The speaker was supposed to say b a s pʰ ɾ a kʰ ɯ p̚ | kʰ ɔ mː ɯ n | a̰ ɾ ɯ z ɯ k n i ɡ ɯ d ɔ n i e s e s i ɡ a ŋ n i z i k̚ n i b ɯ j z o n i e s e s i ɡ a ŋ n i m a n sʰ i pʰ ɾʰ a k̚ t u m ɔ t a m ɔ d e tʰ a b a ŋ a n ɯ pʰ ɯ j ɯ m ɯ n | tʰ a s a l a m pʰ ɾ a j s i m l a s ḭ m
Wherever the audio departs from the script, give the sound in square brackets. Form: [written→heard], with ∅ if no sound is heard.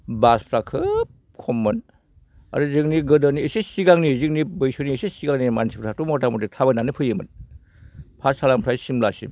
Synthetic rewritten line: b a s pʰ ɾ a kʰ ɯ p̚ | kʰ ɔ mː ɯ n | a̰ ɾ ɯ z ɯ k n i ɡ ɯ d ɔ n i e s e s i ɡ a ŋ n i z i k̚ n i b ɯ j [z→s] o n i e s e s i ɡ a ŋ n i m a n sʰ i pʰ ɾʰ a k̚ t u m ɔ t a m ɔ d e tʰ a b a [ŋ→n] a n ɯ pʰ ɯ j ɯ m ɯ n | [tʰ→pʰ] a s a l a m pʰ ɾ a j s i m l a s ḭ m